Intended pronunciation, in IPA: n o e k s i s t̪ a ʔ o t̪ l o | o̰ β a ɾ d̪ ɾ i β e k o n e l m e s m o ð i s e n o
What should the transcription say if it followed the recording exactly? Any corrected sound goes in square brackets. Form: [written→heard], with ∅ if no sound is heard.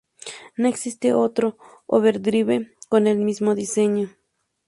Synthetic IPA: n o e k s i s t̪ [a→e] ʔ o t̪ [l→ɾ] o | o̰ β [a→e] ɾ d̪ ɾ i β e k o n e l m [e→i] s m o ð i s e [n→ɲ] o